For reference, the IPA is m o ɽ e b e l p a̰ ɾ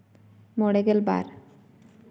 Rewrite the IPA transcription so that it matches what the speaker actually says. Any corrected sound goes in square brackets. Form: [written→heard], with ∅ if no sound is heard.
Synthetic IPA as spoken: m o ɽ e [b→ɡ] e l [p→b] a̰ ɾ